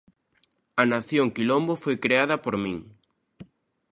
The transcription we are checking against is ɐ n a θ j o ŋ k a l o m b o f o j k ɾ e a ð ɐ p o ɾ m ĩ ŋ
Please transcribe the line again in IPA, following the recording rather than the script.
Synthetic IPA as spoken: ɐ n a θ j o ŋ k i l o m b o f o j k ɾ e a ð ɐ p o ɾ m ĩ ŋ